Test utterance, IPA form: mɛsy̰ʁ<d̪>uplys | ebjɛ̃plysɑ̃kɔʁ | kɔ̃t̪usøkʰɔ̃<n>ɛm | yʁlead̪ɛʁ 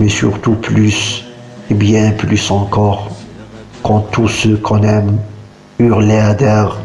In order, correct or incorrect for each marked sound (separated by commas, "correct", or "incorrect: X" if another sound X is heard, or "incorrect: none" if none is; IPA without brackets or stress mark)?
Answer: incorrect: t̪, correct